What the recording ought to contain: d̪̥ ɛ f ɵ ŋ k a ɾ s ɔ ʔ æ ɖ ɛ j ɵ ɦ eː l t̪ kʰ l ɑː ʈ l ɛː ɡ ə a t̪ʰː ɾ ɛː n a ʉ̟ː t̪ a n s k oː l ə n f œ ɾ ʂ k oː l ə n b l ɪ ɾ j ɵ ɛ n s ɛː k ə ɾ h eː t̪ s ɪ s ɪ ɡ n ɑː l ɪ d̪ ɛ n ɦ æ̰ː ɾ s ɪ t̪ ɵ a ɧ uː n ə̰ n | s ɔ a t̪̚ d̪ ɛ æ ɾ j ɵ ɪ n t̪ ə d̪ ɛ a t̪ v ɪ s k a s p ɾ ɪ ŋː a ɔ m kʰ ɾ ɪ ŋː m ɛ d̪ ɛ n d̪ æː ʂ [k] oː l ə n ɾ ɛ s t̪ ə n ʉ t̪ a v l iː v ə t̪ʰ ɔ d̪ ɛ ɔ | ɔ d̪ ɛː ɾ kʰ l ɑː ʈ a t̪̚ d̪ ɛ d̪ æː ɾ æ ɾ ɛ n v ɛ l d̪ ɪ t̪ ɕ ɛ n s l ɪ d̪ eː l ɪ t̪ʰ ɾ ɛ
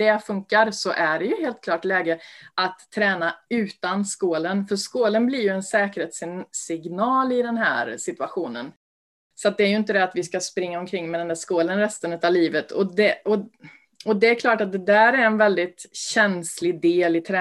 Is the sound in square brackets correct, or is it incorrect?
correct